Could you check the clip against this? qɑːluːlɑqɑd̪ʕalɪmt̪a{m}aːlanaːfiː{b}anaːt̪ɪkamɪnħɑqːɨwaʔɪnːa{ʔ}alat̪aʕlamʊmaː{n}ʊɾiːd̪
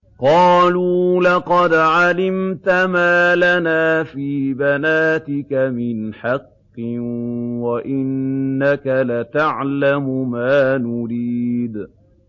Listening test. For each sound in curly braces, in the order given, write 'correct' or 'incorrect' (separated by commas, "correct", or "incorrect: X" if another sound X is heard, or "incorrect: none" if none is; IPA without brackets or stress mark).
correct, correct, incorrect: k, correct